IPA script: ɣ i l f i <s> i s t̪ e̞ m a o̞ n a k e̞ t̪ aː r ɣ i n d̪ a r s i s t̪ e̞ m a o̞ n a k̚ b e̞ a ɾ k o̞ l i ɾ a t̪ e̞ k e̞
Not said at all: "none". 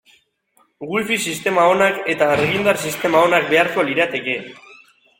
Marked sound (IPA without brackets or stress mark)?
s